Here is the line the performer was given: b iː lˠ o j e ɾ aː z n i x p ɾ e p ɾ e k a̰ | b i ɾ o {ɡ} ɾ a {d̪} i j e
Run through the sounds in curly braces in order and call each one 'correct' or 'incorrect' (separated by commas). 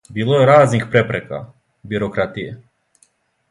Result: incorrect, incorrect